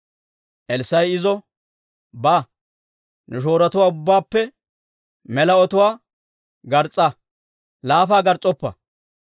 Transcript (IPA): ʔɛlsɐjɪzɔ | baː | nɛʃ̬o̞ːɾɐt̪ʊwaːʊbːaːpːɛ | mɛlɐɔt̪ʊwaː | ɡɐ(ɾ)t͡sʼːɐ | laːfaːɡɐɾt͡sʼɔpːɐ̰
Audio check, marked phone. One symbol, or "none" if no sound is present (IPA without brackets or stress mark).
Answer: ɾ